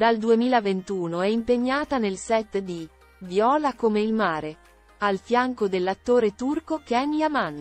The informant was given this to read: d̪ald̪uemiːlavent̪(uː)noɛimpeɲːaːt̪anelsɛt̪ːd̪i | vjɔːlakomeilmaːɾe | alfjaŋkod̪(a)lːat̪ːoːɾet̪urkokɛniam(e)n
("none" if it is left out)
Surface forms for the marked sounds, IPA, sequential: uː, e, a

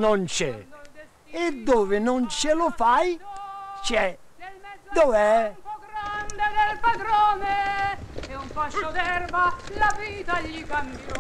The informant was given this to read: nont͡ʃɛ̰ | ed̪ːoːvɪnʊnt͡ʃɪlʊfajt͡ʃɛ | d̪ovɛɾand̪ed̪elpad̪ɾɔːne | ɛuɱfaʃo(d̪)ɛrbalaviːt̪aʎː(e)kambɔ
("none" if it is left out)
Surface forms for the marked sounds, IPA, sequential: d̪, i

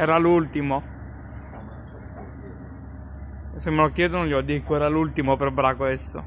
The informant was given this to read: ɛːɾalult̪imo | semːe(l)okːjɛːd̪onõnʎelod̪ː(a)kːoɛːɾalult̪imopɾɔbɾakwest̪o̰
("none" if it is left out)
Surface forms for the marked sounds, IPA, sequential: l, i

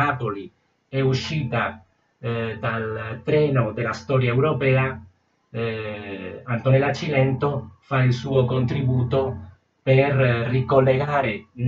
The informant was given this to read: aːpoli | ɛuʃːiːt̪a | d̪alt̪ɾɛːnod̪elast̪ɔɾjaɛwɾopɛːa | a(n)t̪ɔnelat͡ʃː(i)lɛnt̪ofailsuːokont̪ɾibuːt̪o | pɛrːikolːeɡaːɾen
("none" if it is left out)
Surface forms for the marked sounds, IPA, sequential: n, i

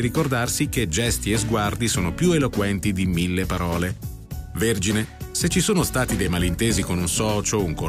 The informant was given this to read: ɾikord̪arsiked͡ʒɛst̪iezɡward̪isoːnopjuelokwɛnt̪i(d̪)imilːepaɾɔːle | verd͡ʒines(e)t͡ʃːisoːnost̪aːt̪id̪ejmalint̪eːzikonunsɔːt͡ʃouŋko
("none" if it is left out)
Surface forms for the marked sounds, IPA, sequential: d̪, e

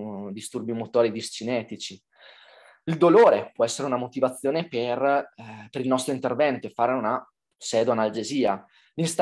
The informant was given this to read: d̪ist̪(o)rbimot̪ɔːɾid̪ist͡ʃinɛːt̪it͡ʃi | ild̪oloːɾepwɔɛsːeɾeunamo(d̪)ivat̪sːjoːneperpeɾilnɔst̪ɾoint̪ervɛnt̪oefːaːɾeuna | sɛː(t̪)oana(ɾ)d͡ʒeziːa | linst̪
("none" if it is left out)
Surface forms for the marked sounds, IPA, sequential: u, t̪, d̪, l

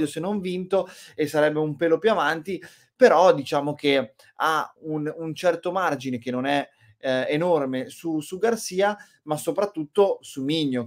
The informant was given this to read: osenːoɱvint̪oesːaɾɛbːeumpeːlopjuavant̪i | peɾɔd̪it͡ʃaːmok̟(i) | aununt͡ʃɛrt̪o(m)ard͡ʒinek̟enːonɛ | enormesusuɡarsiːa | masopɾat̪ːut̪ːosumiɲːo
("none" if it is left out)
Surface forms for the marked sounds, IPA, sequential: e, m

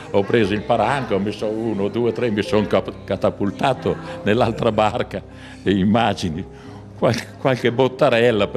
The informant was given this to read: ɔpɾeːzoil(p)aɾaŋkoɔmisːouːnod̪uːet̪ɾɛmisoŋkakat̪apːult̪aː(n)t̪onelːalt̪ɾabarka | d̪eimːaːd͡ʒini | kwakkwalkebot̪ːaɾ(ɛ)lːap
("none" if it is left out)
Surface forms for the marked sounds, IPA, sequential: p, none, ɛ

